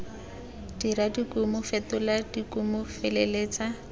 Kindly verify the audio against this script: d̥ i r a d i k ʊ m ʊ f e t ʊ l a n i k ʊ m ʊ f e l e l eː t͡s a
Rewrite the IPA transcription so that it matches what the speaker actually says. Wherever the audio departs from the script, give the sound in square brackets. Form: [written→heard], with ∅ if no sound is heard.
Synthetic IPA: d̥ i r a d i k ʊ m ʊ f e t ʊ l a [n→d] i k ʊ m ʊ f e l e l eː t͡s a